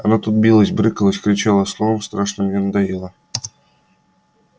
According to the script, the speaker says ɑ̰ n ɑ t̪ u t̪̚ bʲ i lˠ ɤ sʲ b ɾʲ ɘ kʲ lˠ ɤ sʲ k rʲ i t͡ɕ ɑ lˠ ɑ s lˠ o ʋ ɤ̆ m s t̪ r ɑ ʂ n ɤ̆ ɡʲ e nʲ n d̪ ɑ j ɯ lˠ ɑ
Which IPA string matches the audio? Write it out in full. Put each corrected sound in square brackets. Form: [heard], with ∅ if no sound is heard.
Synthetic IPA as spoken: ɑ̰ n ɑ t̪ u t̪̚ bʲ i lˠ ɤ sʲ b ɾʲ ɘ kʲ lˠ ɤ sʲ k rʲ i t͡ɕ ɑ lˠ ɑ s lˠ o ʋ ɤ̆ m s t̪ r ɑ ʂ n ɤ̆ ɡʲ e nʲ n d̪ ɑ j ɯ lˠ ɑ